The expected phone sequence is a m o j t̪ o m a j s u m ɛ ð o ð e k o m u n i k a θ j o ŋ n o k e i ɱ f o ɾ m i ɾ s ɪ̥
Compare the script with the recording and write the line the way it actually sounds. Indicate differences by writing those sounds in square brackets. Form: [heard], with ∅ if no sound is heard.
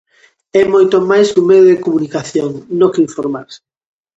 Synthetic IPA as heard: [ɛ] m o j t̪ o m a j s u m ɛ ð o ð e k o m u n i k a θ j o ŋ n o k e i ɱ f o ɾ m [a] ɾ s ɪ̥